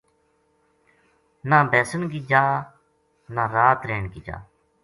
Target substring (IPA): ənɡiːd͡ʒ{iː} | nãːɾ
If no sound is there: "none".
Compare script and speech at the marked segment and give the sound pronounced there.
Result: aː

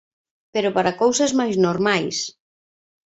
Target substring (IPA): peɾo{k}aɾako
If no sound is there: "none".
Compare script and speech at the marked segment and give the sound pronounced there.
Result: p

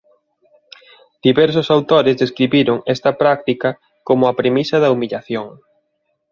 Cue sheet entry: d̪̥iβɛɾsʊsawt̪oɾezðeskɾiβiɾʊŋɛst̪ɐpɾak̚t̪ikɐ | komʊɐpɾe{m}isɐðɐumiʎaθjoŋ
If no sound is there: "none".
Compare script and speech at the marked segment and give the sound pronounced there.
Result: m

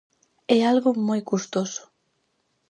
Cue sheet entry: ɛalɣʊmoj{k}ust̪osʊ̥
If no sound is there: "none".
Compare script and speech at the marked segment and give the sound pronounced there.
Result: k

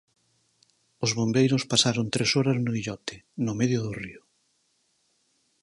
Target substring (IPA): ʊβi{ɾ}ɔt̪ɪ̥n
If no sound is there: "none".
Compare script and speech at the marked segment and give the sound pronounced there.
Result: ʎ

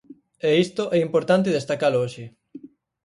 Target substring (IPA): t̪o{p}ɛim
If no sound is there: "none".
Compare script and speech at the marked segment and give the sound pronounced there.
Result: ʔ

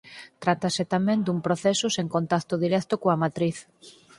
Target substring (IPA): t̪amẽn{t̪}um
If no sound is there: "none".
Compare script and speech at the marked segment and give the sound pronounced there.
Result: d̪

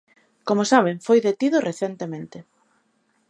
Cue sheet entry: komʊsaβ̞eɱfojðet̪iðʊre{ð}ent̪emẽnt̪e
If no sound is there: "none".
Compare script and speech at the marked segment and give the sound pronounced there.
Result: θ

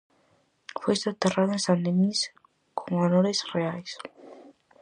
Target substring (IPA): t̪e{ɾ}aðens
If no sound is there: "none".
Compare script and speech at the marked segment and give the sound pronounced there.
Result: r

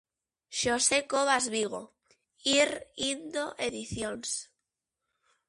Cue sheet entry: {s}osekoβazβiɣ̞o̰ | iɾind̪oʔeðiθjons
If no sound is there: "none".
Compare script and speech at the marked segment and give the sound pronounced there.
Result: ʃ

